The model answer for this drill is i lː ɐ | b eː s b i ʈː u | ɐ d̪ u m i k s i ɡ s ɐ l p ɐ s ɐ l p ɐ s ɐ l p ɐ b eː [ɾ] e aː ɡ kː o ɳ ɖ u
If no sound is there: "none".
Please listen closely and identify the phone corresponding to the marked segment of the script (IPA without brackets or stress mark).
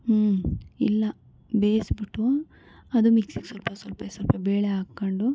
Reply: ɭ